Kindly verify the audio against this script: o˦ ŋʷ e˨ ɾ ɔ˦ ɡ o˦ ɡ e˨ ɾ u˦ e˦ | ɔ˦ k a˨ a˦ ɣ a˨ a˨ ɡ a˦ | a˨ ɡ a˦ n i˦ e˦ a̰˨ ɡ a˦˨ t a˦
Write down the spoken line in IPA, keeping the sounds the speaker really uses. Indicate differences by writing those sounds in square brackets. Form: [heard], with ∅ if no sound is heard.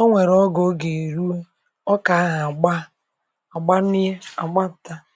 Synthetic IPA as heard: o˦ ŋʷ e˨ ɾ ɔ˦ ɡ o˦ ɡ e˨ ɾ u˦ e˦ | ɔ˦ k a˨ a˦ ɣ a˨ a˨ [ɡ͡b] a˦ | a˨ [ɡ͡b] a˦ n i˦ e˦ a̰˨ [ɡ͡b] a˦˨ t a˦